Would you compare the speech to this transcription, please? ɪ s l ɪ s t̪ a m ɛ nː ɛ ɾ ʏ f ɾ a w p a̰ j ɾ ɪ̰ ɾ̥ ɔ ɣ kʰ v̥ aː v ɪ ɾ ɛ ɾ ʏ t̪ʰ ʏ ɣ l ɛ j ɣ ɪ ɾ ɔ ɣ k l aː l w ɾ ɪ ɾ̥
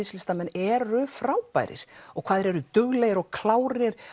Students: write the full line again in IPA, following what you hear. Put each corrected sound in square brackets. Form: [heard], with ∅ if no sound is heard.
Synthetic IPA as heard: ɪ s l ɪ s t̪ a m ɛ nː ɛ ɾ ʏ f ɾ a w p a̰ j ɾ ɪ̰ ɾ̥ ɔ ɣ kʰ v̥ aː [ð] ɪ ɾ ɛ ɾ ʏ [t̪] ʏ ɣ l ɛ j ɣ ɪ ɾ ɔ ɣ [kʰ] l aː [∅] w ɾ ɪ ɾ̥